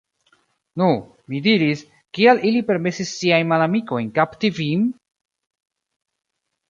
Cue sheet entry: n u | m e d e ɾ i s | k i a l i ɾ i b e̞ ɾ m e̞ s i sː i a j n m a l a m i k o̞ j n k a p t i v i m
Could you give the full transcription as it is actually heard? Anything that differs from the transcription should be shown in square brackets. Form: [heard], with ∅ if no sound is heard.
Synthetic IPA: n u | m [i] d [i] ɾ i s | k i a l i [l] i [p] e̞ ɾ m e̞ s i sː i a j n m a l a m i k o̞ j n k a p t i v i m